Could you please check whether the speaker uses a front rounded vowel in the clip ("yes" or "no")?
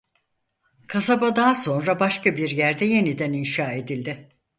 no